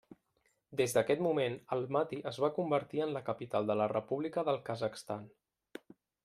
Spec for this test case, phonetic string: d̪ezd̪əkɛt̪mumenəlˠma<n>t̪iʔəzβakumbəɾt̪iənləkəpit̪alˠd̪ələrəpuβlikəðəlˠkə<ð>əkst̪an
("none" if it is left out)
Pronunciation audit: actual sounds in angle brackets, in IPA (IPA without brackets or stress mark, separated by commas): none, z